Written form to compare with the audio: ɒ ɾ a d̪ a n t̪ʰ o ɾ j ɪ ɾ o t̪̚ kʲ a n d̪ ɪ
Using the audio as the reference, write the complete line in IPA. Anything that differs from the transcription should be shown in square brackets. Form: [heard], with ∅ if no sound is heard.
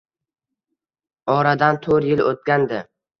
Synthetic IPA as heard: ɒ ɾ a d̪ a n t̪ʰ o ɾ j ɪ [l] o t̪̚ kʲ a n d̪ ɪ